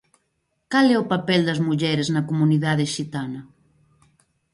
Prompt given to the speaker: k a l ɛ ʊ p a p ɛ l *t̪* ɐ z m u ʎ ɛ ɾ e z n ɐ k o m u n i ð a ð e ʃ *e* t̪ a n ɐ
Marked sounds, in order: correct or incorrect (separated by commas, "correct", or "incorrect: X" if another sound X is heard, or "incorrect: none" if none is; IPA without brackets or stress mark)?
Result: incorrect: d̪, incorrect: i